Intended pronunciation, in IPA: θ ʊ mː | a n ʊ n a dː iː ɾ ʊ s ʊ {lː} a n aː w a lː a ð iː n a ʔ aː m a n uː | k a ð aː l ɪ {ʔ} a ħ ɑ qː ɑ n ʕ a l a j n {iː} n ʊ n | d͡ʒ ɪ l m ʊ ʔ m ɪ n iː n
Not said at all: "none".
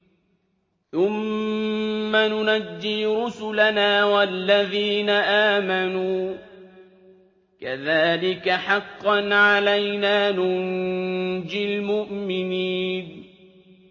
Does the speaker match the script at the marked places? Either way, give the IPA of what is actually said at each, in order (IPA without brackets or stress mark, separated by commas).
l, k, aː